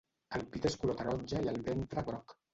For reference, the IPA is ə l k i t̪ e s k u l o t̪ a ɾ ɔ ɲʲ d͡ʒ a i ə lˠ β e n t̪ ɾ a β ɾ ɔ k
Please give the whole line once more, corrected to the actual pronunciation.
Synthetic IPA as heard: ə l p i t̪ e s k u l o t̪ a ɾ ɔ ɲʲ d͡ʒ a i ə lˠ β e n t̪ ɾ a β ɾ ɔ k